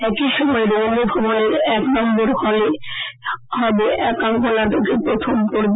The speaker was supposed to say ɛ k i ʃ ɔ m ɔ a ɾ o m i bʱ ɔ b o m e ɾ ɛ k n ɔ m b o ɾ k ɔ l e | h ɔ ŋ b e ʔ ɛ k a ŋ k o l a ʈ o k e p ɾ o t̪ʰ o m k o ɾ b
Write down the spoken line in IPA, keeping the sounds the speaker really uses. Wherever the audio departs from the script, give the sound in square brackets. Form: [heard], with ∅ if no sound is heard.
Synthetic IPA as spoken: ɛ k i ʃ ɔ m ɔ [e] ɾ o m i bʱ ɔ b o [n] e ɾ ɛ k n ɔ m b o ɾ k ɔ l e | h ɔ [∅] b e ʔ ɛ k a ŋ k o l a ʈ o k e p ɾ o t̪ʰ o m k o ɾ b